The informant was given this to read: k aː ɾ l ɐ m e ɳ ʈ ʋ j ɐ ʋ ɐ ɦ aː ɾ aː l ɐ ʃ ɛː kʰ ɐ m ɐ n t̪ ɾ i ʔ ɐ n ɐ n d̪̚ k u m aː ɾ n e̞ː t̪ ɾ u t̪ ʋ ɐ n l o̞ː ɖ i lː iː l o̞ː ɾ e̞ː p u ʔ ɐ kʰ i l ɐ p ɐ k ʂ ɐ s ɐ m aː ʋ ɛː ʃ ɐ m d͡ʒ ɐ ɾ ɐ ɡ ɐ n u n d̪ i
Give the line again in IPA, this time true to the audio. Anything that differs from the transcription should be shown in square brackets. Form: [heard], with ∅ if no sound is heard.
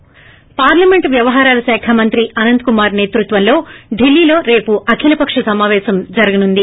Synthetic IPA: [p] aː ɾ l ɐ m e ɳ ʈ ʋ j ɐ ʋ ɐ ɦ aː ɾ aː l ɐ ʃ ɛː kʰ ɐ m ɐ n t̪ ɾ i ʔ ɐ n ɐ n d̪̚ k u m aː ɾ n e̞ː t̪ ɾ u t̪ ʋ ɐ n l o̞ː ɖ i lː iː l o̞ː ɾ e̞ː p u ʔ ɐ kʰ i l ɐ p ɐ k ʂ ɐ s ɐ m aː ʋ ɛː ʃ ɐ m d͡ʒ ɐ ɾ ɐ ɡ ɐ n u n d̪ i